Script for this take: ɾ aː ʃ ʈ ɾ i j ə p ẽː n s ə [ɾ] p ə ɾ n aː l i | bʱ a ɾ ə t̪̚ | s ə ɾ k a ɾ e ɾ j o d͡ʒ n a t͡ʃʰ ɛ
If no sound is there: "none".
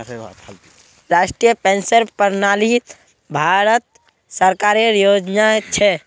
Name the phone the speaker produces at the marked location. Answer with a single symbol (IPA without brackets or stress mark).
ɾ